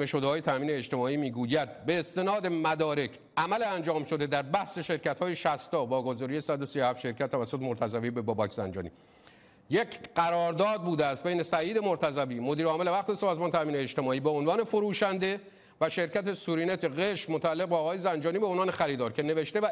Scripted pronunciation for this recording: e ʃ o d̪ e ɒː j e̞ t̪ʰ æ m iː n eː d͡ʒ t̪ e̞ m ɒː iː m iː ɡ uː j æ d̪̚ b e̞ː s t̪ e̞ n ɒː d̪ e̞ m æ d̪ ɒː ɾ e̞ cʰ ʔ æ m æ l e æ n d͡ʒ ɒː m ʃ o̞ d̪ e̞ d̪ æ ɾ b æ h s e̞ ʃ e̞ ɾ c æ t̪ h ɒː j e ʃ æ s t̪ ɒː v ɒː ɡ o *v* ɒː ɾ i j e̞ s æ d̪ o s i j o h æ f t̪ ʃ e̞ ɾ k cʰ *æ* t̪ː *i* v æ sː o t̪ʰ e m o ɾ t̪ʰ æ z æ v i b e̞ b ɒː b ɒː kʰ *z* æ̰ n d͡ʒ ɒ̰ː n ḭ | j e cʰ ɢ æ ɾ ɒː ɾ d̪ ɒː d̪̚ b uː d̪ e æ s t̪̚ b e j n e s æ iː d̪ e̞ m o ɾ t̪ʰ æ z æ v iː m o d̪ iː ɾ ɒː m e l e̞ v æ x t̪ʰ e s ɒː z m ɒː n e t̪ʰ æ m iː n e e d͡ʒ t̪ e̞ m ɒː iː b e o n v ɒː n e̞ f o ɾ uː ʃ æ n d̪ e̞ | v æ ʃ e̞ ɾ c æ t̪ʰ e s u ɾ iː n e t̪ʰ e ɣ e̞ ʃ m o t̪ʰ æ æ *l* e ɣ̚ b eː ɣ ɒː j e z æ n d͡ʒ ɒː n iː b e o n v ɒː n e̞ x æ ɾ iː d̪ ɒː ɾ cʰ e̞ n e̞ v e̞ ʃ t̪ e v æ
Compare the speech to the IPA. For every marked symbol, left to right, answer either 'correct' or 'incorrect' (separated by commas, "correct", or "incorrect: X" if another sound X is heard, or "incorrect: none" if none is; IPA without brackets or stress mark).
incorrect: z, correct, incorrect: æ, correct, incorrect: lː